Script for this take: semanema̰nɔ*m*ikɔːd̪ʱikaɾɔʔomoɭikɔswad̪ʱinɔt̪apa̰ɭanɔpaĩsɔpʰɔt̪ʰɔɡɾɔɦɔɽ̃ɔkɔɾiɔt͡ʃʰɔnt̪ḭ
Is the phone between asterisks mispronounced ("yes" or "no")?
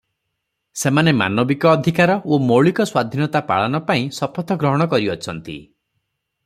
yes